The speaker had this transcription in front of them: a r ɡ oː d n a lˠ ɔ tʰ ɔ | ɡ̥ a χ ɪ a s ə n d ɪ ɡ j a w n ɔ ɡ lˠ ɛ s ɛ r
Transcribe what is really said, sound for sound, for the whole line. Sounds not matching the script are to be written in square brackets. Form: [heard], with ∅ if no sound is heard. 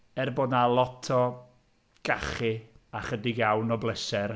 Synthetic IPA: [ɛ] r [b] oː d n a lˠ ɔ tʰ ɔ | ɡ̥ a χ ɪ a [χ] ə [∅] d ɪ ɡ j a w n ɔ [b] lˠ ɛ s ɛ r